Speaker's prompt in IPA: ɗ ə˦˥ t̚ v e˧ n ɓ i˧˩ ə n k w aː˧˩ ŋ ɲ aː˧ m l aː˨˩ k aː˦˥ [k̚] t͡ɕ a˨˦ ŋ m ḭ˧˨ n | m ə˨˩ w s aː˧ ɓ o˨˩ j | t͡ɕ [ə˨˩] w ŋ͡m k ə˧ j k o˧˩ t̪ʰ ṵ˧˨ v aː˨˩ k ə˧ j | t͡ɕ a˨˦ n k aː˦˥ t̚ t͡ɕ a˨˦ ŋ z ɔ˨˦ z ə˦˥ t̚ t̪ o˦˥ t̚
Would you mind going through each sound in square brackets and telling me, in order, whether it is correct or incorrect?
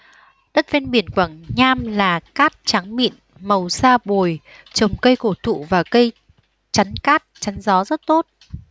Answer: incorrect, correct

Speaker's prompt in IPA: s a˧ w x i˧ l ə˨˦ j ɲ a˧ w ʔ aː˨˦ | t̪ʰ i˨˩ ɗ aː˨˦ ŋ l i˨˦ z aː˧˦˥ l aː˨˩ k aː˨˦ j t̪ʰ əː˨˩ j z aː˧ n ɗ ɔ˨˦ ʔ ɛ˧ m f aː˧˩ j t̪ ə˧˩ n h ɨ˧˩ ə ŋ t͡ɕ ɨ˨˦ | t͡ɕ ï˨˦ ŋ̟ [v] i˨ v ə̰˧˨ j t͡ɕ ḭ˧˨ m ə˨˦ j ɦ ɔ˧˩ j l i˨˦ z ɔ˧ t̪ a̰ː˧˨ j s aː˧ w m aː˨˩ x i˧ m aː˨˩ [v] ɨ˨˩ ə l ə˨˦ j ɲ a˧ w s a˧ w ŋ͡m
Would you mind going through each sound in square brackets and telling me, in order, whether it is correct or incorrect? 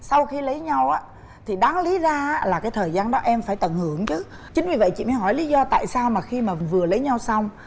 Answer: correct, correct

